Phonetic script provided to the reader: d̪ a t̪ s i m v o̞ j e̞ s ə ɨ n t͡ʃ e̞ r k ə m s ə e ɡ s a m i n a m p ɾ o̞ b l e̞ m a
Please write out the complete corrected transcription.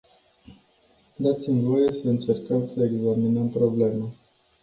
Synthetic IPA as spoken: d̪ a t̪ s i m v o̞ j e̞ s ə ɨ n t͡ʃ e̞ r k ə m s ə e ɡ z a m i n ə m p ɾ o̞ b l e̞ m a